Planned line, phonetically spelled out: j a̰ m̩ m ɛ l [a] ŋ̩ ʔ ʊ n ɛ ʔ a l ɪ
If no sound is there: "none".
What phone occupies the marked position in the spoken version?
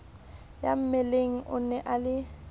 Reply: e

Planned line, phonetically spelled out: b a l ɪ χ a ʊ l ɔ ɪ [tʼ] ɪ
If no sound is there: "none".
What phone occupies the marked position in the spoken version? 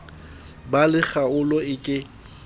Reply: kʼ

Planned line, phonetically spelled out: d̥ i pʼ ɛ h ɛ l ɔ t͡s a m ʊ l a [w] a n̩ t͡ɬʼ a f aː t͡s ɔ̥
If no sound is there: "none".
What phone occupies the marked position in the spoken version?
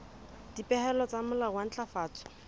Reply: w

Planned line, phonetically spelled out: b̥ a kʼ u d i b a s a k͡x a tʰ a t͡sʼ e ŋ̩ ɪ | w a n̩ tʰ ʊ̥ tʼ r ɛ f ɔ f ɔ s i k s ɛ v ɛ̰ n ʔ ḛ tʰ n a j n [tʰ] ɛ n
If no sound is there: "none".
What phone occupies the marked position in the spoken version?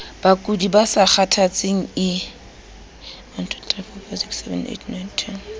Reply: tʰ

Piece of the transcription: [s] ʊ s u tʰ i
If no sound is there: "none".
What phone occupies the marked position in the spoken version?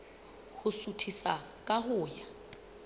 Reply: h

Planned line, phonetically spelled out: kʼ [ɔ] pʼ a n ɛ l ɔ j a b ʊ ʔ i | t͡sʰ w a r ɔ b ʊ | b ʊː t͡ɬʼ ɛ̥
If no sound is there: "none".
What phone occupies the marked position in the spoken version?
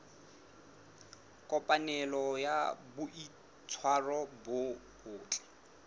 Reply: ɔ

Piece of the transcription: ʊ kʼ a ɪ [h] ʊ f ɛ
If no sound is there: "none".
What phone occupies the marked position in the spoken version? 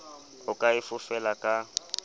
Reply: f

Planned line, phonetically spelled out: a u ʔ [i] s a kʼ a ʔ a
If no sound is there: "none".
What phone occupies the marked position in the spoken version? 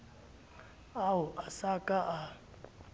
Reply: a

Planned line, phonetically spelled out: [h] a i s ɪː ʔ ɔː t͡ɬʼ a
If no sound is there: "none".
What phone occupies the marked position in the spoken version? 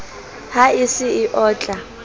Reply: h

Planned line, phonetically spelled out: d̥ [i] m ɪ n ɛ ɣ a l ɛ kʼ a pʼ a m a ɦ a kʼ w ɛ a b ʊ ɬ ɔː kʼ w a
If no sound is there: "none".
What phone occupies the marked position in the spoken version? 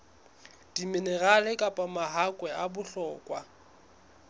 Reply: i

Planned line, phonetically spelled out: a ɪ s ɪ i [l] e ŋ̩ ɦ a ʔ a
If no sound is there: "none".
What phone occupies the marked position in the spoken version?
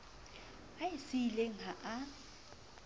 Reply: l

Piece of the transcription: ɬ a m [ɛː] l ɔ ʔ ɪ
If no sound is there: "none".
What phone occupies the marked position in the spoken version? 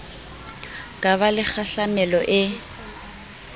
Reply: ɛ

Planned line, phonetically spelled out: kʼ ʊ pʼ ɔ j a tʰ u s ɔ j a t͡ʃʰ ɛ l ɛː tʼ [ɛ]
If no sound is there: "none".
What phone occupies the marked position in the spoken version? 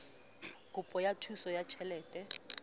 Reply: ɛ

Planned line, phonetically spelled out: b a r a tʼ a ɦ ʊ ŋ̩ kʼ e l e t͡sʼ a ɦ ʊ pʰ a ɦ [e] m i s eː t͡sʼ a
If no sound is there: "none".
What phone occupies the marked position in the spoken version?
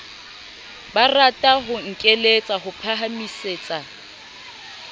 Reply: a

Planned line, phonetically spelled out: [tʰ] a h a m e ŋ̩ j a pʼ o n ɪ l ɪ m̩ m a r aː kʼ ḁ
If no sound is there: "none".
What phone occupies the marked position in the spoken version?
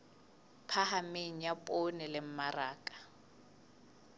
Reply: pʰ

